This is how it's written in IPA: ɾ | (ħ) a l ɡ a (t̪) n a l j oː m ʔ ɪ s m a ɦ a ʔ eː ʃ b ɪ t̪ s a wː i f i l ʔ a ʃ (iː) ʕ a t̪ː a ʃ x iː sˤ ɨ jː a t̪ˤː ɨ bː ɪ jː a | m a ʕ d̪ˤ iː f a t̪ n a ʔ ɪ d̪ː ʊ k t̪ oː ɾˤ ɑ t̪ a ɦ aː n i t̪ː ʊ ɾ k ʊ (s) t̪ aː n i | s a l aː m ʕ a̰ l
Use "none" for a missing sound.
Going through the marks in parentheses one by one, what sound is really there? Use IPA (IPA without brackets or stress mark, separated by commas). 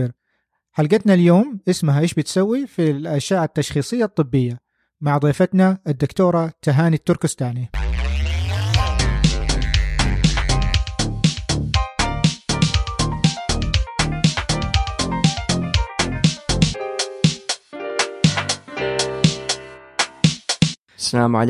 ħ, t̪, aː, s